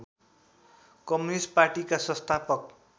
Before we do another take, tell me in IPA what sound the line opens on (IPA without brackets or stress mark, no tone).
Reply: k